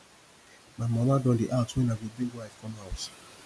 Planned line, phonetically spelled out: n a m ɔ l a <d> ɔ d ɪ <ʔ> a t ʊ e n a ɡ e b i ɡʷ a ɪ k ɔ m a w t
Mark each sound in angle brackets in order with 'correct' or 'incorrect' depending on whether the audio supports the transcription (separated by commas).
correct, correct